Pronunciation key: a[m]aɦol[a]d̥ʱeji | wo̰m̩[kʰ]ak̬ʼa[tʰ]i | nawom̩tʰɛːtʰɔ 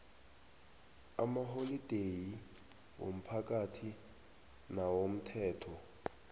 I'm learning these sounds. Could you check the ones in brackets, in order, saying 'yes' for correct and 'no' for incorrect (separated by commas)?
yes, no, no, yes